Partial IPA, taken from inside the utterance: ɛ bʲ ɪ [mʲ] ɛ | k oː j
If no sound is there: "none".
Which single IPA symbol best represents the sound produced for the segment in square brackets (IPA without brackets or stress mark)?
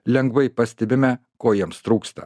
mʲ